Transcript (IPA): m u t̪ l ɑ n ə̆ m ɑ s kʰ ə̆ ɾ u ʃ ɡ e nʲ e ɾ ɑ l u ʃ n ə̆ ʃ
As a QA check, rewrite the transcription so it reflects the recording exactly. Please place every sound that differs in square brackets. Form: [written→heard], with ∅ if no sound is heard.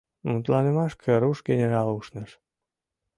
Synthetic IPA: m u t̪ l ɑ n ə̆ m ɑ [s→ʃ] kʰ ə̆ ɾ u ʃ ɡ e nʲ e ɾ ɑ l u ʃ n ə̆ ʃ